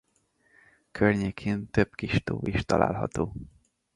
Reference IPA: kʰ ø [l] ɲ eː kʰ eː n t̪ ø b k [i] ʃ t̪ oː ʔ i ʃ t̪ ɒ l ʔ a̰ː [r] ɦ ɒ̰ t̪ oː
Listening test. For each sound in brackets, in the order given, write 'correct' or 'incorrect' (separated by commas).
incorrect, correct, incorrect